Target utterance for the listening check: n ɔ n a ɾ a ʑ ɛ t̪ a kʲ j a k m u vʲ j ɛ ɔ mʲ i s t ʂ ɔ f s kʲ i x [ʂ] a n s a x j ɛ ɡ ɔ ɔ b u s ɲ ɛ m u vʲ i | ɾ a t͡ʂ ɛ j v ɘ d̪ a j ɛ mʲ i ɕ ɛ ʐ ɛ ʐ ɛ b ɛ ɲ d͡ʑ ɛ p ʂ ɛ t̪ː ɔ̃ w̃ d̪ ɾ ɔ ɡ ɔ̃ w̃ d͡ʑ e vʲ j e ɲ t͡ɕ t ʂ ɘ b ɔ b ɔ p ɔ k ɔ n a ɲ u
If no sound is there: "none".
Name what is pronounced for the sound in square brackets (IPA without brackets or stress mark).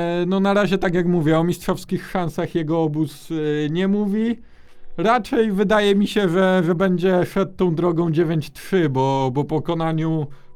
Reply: ʂ